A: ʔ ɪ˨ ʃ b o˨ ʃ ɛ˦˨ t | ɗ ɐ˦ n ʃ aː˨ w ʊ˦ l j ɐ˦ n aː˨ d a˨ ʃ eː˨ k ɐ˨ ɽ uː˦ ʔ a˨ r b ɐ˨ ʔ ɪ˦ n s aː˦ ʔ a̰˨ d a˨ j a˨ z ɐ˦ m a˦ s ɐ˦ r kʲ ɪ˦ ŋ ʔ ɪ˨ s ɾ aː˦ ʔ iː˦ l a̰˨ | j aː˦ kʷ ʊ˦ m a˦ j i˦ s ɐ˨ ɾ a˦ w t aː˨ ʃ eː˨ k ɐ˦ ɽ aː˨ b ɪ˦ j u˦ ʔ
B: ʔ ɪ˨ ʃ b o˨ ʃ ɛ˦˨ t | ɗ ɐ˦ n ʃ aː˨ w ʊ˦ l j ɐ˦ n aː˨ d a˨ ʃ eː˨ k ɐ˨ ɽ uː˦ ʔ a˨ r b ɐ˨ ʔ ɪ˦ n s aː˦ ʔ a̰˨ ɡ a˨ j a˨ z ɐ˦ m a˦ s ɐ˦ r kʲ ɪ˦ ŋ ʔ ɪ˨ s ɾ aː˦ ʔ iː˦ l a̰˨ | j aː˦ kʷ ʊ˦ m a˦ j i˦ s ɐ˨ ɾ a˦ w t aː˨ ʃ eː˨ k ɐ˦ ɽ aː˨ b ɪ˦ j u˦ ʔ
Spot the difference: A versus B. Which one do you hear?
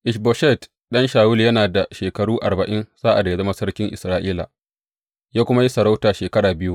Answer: A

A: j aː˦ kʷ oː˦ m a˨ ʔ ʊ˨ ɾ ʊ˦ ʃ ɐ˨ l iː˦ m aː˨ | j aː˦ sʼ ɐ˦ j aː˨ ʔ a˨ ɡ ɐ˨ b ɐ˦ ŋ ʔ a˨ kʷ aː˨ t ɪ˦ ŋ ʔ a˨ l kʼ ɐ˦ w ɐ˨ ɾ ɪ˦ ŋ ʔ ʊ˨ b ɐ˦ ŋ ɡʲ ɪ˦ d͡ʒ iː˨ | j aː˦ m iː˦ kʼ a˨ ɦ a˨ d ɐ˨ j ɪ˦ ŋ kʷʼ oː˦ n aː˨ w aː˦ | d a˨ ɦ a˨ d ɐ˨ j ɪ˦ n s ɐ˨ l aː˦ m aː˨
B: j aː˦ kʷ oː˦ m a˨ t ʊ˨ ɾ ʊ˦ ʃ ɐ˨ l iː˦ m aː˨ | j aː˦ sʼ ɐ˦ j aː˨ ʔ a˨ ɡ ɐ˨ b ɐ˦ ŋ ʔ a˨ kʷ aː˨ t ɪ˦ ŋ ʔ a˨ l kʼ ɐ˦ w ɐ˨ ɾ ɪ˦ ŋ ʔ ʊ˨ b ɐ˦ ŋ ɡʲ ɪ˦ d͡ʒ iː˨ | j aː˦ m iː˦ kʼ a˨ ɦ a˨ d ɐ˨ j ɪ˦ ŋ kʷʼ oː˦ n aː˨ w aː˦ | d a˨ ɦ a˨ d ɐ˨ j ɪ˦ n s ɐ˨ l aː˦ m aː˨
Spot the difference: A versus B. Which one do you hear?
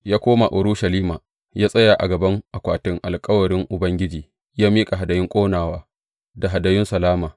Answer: A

